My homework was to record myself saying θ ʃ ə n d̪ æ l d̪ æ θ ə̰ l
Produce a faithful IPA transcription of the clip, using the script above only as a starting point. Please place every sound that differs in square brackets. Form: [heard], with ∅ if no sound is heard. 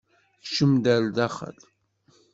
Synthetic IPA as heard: θ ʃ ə [m] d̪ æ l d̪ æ [χ] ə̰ l

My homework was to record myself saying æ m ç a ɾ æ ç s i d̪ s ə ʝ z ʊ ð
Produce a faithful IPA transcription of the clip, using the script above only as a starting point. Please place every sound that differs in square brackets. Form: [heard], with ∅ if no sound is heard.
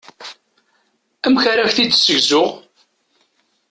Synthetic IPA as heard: æ m ç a ɾ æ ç [θ] i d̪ s ə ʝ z ʊ [ʁ]

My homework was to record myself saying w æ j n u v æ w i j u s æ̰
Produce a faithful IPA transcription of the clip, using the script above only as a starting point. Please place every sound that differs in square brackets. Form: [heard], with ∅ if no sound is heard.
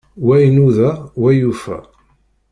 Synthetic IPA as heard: w æ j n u [ð] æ w [æ] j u [f] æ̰

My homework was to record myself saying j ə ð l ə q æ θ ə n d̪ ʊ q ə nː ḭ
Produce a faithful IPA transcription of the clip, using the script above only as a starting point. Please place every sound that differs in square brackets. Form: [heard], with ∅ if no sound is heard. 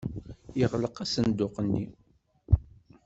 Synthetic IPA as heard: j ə [ʁ] l ə q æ [s] ə n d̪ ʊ q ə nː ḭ

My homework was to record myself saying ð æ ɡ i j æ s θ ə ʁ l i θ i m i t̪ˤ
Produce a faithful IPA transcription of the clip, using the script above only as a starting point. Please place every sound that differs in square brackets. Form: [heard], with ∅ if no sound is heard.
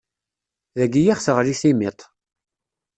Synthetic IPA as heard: ð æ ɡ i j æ [χ] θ ə ʁ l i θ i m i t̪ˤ

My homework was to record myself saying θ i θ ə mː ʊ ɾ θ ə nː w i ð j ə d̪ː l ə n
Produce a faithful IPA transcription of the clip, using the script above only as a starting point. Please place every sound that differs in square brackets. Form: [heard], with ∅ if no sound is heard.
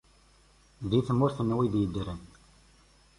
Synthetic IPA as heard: [ð] i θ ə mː ʊ ɾ θ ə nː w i ð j ə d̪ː [ɾ] ə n

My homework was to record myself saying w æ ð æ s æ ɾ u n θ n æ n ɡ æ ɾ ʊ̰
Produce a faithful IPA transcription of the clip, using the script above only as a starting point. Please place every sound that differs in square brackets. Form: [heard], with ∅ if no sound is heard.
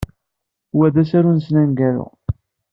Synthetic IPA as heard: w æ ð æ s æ ɾ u n [s] n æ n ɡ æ ɾ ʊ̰

